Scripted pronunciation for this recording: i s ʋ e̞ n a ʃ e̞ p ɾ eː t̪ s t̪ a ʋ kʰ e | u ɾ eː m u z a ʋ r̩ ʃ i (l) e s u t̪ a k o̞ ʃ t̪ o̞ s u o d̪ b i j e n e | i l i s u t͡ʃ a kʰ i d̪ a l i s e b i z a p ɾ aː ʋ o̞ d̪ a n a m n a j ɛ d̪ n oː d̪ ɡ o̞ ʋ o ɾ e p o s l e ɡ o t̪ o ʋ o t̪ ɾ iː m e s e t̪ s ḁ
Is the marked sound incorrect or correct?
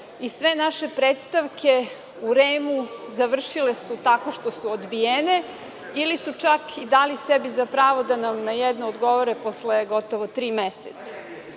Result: correct